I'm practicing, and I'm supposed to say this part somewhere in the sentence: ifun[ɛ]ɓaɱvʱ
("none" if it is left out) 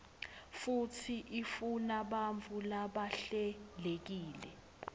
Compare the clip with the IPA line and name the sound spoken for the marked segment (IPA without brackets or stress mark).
a